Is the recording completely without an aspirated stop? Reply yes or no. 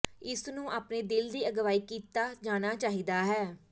yes